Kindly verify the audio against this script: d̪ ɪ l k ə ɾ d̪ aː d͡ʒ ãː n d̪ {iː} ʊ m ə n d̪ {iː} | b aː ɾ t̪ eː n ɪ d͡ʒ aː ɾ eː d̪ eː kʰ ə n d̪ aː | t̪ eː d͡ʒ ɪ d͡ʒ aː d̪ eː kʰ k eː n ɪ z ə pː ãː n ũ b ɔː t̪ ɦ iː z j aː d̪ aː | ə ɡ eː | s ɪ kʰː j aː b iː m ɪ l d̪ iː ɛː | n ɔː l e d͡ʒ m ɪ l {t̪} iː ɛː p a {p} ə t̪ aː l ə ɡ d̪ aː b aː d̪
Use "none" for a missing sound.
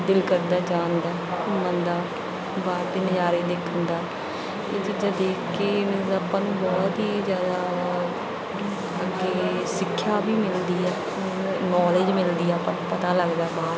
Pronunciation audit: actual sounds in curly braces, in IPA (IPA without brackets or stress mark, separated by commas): aː, aː, d̪, p